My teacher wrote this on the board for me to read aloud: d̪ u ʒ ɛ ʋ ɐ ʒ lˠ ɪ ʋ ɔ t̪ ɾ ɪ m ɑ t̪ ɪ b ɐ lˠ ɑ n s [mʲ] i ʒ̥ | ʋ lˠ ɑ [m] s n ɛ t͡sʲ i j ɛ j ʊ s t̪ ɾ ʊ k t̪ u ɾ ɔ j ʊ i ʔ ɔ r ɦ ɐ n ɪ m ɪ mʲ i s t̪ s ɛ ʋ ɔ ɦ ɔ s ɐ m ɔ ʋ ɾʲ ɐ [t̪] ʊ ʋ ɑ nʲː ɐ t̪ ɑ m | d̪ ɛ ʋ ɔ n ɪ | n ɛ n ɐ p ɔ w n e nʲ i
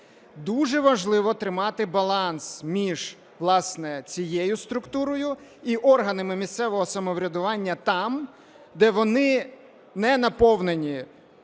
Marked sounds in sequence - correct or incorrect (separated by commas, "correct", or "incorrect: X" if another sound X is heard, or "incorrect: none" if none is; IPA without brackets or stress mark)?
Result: correct, incorrect: none, incorrect: d̪